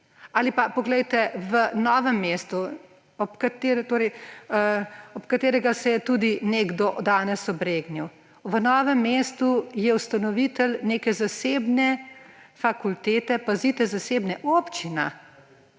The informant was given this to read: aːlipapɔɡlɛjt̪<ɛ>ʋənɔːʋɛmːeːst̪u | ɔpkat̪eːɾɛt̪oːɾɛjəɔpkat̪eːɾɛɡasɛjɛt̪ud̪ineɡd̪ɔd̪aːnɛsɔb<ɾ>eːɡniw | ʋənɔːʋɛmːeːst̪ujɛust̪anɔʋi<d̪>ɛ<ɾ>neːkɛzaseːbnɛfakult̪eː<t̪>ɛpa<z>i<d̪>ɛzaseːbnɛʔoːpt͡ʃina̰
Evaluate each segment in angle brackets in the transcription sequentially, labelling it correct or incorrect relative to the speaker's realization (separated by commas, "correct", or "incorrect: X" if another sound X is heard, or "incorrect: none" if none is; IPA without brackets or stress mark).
correct, correct, incorrect: t̪, incorrect: l, correct, correct, incorrect: t̪